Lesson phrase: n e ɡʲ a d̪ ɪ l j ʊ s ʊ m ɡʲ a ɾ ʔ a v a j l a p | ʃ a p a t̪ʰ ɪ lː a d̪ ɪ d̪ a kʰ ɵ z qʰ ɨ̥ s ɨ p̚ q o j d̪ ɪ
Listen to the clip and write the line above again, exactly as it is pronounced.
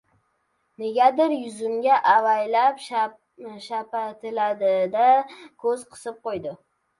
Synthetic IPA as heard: n e ɡʲ a d̪ ɪ ɾ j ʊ z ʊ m ɡʲ a ʔ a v a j l a p | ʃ a p a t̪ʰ ɪ l a d̪ ɪ d̪ a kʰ ɵ z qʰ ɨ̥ s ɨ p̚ q o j d̪ ɪ